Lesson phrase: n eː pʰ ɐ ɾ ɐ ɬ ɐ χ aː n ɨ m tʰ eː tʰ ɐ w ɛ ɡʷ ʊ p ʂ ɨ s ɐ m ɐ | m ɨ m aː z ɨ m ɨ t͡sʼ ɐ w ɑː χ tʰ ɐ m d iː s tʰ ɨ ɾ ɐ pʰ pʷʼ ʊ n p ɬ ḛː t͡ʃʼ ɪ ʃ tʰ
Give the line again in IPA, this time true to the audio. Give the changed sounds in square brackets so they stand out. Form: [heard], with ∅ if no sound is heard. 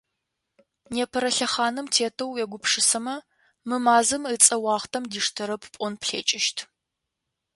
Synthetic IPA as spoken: n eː pʰ ɐ ɾ ɐ ɬ ɐ χ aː n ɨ m tʰ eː tʰ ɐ w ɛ ɡʷ ʊ p ʂ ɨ s ɐ m ɐ | m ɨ m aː z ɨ m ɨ t͡sʼ ɐ w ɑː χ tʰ ɐ m d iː [ʂ] tʰ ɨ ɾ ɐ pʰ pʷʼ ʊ n p ɬ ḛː t͡ʃʼ ɪ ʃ tʰ